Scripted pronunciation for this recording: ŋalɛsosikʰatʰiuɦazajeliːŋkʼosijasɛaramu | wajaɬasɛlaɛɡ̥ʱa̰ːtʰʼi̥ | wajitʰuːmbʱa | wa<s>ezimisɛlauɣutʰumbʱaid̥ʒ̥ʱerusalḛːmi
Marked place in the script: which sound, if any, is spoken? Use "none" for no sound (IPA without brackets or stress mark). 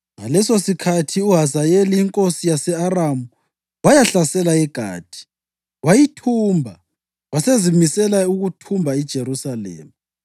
s